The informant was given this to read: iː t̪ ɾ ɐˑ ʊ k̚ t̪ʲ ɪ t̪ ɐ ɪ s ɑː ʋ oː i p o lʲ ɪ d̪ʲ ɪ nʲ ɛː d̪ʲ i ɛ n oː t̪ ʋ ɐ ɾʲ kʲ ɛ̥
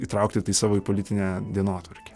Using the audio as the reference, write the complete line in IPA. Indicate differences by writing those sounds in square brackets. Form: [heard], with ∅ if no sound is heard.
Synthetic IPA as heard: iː t̪ ɾ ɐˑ ʊ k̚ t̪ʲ ɪ t̪ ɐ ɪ s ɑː ʋ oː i p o lʲ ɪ [t̪ʲ] ɪ nʲ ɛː d̪ʲ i ɛ n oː t̪ ʋ ɐ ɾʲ kʲ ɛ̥